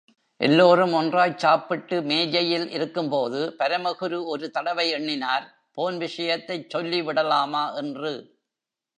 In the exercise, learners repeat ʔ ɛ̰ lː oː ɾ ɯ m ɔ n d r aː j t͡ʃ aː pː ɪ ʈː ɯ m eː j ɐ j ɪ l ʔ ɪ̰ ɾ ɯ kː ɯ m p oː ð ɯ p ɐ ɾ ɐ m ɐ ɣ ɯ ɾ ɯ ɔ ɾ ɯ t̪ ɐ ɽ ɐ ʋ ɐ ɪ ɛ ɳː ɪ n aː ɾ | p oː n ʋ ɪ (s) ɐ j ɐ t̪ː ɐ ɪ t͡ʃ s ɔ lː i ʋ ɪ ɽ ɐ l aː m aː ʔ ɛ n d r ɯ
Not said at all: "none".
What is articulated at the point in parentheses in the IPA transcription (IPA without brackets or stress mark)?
ʂ